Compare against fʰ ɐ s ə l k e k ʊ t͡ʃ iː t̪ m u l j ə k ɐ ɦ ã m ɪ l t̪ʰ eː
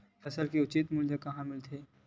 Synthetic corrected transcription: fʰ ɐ s ə l k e ʊ t͡ʃ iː t̪ m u l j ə k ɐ ɦ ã m ɪ l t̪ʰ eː